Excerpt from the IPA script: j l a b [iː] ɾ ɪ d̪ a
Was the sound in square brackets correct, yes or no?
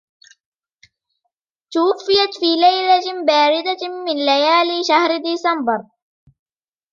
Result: no